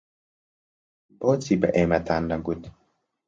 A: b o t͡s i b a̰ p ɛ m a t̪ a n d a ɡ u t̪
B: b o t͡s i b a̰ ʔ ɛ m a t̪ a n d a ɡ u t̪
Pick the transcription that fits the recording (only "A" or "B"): B